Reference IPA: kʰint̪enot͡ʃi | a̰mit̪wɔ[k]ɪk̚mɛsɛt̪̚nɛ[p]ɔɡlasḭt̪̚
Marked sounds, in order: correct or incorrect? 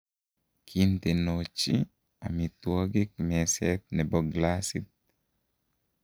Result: incorrect: ɡ, incorrect: b

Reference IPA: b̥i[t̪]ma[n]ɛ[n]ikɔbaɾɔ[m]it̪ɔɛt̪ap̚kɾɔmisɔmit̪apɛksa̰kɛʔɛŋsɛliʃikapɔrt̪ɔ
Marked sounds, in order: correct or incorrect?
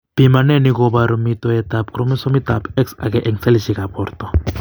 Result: incorrect: none, correct, correct, correct

